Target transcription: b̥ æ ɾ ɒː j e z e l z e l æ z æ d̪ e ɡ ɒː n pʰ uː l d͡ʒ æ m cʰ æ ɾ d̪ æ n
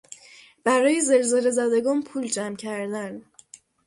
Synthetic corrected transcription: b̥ æ ɾ ɒː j e z e l z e l e z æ d̪ e ɡ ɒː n pʰ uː l d͡ʒ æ m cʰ æ ɾ d̪ æ n

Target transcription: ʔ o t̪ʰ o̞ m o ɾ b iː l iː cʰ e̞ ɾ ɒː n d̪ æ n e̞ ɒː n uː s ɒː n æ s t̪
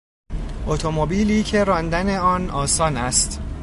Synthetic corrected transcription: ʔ o t̪ʰ o̞ m o b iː l iː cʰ e̞ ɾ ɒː n d̪ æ n e̞ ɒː n ɒː s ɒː n æ s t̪

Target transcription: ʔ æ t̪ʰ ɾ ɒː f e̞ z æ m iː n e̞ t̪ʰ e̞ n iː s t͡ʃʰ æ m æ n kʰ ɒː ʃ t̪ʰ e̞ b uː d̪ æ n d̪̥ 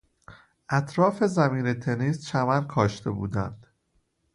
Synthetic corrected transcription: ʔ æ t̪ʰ ɾ ɒː f e̞ z æ m iː n e̞ t̪ʰ e̞ n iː s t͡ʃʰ æ m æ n kʰ ɒː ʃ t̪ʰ e̞ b uː d̪ æ n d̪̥

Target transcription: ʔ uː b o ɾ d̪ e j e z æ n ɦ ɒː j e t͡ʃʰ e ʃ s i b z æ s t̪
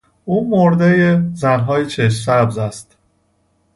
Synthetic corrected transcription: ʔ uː m o ɾ d̪ e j e z æ n ɦ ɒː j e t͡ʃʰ e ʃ s æ b z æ s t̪

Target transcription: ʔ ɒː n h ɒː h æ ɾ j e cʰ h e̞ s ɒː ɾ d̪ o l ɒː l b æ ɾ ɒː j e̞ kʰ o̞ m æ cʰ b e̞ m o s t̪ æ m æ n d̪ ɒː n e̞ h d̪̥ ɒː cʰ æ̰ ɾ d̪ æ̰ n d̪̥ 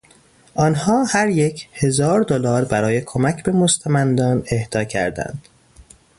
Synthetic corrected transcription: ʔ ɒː n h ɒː h æ ɾ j e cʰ h e̞ z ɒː ɾ d̪ o l ɒː ɾ b æ ɾ ɒː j e̞ kʰ o̞ m æ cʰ b e̞ m o s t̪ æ m æ n d̪ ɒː n e̞ h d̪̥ ɒː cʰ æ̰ ɾ d̪ æ̰ n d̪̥

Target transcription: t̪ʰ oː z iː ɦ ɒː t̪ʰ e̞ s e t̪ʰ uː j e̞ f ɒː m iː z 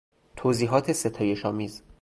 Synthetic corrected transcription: t̪ʰ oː z iː ɦ ɒː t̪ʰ e̞ s e t̪ʰ ɒː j e̞ ʃ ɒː m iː z

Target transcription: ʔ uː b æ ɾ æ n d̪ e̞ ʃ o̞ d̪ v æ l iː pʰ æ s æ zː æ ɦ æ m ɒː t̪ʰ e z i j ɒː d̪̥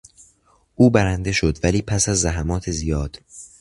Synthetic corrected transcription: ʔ uː b æ ɾ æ n d̪ e̞ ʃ o̞ d̪ v æ l iː pʰ æ s æ zː æ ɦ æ m ɒː t̪ʰ e z i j ɒː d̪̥

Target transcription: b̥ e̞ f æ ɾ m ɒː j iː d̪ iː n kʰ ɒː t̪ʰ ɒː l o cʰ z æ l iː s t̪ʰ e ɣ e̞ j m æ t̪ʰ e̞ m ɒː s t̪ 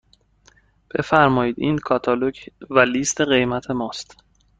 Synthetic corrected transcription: b̥ e̞ f æ ɾ m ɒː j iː d̪ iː n kʰ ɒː t̪ʰ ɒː l o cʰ v æ l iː s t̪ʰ e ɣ e̞ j m æ t̪ʰ e̞ m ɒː s t̪

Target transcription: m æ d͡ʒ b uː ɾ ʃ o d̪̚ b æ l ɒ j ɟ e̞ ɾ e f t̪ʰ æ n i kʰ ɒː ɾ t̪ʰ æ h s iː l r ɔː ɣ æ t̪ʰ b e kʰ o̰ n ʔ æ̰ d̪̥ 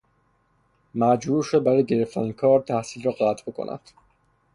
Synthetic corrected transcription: m æ d͡ʒ b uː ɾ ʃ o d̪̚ b æ ɾ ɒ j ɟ e̞ ɾ e f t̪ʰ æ n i kʰ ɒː ɾ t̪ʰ æ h s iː l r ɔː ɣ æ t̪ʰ b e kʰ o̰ n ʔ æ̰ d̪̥

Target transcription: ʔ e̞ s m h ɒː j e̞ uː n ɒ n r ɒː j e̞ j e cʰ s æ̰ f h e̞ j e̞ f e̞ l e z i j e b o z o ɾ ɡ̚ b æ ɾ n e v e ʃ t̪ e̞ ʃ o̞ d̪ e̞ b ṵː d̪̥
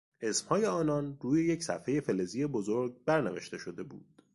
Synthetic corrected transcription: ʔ e̞ s m h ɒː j e̞ ɒː n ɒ n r uː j e̞ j e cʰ s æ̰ f h e̞ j e̞ f e̞ l e z i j e b o z o ɾ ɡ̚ b æ ɾ n e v e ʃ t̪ e̞ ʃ o̞ d̪ e̞ b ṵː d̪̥

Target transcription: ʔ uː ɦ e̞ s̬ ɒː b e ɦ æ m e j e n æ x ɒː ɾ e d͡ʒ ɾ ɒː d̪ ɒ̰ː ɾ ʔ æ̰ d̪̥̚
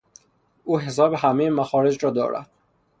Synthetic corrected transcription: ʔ uː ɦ e̞ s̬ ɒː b e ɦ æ m e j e m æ x ɒː ɾ e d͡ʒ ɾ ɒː d̪ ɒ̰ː ɾ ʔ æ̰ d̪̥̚

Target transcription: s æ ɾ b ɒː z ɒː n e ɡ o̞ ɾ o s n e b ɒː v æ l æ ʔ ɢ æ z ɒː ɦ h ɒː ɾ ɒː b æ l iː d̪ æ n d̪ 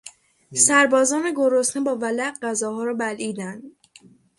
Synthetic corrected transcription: s æ ɾ b ɒː z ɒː n e ɡ o̞ ɾ o s n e b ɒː v æ l æ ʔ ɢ æ z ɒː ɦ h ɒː ɾ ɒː b æ l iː d̪ æ n d̪

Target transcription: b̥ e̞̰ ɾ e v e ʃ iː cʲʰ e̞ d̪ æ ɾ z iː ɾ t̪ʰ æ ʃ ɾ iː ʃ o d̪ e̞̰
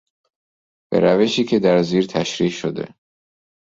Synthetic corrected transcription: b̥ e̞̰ ɾ æ v e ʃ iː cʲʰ e̞ d̪ æ ɾ z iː ɾ t̪ʰ æ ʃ ɾ iː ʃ o d̪ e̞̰

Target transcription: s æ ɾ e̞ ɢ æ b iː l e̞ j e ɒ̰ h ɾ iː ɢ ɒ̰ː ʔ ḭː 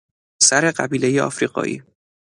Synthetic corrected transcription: s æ ɾ e̞ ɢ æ b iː l e̞ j e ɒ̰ f ɾ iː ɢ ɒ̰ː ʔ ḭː

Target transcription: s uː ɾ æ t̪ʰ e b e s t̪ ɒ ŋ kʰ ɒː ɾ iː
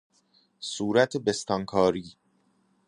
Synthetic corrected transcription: s uː ɾ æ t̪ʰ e b e s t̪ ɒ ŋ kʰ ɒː ɾ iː

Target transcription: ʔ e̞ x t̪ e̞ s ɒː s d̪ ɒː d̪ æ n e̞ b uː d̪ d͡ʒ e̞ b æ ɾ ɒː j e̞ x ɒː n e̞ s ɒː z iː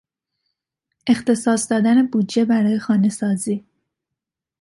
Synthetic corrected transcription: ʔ e̞ x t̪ e̞ s ɒː s d̪ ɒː d̪ æ n e̞ b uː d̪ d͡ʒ e̞ b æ ɾ ɒː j e̞ x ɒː n e̞ s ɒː z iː

